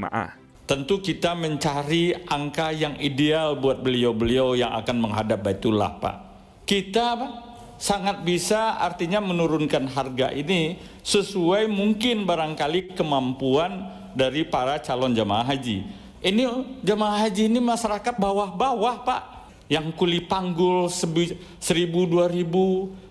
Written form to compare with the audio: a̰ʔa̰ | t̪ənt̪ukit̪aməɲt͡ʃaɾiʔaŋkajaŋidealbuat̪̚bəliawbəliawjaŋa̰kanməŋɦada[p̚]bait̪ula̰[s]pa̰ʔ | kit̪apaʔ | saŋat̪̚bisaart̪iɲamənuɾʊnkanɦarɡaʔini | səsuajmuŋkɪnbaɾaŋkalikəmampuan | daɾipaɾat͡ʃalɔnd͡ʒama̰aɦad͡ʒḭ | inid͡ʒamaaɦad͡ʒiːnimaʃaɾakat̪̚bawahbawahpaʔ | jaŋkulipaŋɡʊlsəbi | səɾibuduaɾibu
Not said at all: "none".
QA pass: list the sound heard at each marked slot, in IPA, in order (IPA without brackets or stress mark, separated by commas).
p̚, h